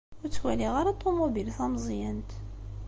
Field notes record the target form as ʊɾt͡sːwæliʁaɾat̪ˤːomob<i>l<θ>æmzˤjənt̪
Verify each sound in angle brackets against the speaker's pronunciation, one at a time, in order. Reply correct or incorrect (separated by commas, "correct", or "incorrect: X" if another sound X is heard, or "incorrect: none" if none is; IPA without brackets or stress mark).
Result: correct, correct